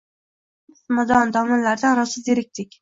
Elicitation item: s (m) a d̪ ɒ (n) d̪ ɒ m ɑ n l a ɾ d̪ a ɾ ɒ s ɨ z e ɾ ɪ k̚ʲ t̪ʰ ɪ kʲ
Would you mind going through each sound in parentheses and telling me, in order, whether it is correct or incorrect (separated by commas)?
correct, correct